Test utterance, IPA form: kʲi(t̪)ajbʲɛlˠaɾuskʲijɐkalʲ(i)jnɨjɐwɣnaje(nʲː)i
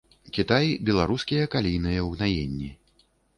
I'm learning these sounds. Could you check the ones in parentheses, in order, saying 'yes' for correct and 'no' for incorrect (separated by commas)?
yes, yes, yes